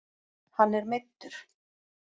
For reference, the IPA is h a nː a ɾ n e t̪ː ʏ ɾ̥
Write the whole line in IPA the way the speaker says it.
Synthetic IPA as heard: h a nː ɛ ɾ m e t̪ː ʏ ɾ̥